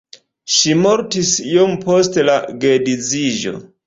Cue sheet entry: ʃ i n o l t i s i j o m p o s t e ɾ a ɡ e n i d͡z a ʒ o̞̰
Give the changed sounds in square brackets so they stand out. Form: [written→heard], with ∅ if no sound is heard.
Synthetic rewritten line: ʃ i [n→m] o [l→ɾ] t i s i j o m p o s t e [ɾ→l] a ɡ e [n→d] i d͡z [a→i] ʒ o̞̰